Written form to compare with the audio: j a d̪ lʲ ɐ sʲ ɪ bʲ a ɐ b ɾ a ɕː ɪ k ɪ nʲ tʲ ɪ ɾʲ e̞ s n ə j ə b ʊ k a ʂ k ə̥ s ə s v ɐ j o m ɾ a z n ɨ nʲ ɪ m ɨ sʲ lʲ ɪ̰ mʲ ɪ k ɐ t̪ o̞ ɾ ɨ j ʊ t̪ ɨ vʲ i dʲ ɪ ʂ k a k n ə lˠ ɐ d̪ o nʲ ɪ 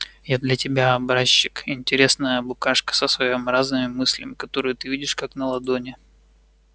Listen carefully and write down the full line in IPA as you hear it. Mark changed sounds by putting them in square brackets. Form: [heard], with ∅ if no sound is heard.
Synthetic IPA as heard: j a d̪ lʲ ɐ [tʲ] ɪ bʲ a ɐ b ɾ a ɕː ɪ k ɪ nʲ tʲ ɪ ɾʲ e̞ s n ə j ə b ʊ k a ʂ k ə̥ s ə s v ɐ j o m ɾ a z n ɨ [mʲ] ɪ m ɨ sʲ lʲ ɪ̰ mʲ ɪ k ɐ t̪ o̞ ɾ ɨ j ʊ t̪ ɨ vʲ i dʲ ɪ ʂ k a k n ə lˠ ɐ d̪ o nʲ ɪ